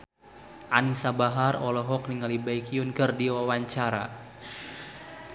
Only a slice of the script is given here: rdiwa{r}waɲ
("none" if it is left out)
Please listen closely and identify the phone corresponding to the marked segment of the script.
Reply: none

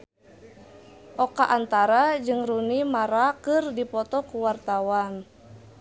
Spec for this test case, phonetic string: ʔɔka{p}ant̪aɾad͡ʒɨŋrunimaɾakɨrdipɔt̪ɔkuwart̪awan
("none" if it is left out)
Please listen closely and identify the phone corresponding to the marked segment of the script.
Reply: ʔ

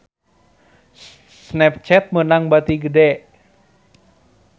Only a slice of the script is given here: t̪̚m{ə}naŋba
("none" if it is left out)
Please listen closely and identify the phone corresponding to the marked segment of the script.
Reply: ə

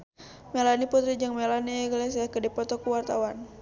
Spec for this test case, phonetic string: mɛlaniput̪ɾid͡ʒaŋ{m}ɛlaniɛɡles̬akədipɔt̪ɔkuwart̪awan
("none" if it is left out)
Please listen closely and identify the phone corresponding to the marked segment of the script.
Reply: m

